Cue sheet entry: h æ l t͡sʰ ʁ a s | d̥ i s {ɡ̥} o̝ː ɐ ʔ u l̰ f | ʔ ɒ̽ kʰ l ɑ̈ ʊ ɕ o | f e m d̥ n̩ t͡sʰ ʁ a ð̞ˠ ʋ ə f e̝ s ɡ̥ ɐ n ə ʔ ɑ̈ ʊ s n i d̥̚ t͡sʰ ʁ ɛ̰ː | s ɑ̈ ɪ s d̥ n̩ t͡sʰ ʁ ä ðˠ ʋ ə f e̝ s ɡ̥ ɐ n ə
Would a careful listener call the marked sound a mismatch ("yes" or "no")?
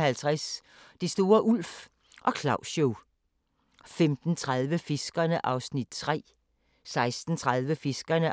yes